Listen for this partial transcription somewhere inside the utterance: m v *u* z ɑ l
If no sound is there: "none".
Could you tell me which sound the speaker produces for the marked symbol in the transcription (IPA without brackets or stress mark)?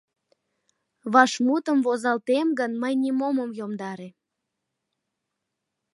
o